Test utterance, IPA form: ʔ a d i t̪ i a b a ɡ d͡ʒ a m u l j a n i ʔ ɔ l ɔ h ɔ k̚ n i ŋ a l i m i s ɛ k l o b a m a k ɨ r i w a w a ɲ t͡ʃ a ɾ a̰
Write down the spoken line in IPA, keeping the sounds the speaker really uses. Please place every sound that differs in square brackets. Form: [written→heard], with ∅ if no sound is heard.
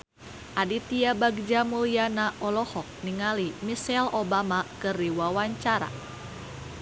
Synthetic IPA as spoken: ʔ a d i t̪ i a b a ɡ d͡ʒ a m u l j a n [i→a] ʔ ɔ l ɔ h ɔ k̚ n i ŋ a l i m i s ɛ [k→∅] l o b a m a k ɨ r i w a w a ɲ t͡ʃ a ɾ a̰